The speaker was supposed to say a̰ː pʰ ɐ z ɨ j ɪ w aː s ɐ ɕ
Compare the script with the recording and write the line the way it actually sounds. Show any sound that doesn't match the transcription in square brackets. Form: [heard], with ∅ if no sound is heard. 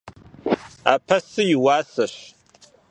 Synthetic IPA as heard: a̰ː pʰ ɐ [s] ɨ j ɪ w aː s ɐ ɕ